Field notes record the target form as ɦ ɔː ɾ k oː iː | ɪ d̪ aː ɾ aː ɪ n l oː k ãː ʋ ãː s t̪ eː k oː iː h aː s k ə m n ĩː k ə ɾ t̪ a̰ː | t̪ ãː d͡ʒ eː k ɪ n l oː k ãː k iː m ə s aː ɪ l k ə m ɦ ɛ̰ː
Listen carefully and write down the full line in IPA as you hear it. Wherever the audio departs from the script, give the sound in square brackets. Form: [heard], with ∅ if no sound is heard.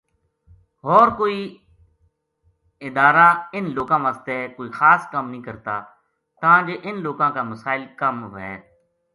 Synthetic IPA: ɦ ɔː ɾ k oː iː | ɪ d̪ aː ɾ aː ɪ n l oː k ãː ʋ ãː s t̪ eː k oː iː [x] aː s k ə m n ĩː k ə ɾ t̪ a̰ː | t̪ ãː d͡ʒ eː [ʔ] ɪ n l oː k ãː k [aː] m ə s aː ɪ l k ə m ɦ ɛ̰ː